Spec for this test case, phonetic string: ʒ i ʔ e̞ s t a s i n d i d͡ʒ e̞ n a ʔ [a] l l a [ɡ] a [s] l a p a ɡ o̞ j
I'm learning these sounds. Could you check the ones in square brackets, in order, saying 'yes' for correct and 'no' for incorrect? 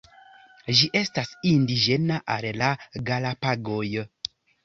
yes, yes, no

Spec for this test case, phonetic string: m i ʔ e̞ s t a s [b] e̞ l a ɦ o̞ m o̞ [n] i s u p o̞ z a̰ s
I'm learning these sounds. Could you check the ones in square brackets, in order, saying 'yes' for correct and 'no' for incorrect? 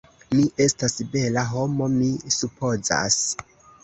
yes, no

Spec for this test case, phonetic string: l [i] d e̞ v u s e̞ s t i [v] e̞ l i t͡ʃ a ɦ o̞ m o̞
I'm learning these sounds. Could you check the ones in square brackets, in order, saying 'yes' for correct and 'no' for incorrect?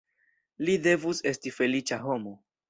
yes, no

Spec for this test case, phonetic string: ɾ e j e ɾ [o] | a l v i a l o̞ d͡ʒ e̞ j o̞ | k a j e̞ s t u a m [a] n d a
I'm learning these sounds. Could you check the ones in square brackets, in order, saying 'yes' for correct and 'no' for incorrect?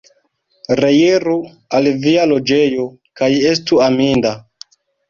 no, no

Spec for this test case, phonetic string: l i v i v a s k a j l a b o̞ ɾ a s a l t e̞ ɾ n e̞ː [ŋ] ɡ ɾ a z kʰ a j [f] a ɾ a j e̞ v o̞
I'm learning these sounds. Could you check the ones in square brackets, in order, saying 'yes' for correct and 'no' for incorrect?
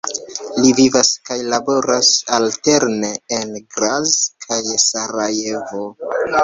no, no

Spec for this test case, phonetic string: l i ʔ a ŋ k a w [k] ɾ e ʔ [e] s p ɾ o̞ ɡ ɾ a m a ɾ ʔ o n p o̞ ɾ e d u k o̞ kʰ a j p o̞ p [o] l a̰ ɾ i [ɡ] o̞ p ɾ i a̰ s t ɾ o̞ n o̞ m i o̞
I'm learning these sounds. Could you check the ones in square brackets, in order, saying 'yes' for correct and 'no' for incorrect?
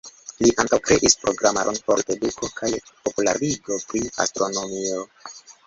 yes, no, no, yes

